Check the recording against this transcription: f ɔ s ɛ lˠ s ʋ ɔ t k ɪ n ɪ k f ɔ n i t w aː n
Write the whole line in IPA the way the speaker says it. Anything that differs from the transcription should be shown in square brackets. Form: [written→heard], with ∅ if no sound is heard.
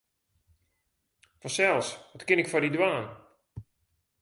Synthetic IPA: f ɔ s ɛ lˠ s ʋ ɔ t k ɪ n ɪ k f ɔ [n→d] i [t→d] w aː n